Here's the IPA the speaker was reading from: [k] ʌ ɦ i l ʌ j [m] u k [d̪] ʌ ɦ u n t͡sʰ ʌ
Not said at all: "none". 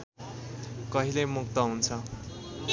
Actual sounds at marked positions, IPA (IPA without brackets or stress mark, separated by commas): k, m, t̪